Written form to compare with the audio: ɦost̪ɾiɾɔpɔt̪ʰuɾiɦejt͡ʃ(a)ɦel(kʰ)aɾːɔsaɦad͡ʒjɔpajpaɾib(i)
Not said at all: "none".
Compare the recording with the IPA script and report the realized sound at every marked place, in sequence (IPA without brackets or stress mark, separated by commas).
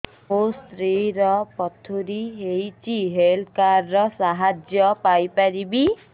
i, k, i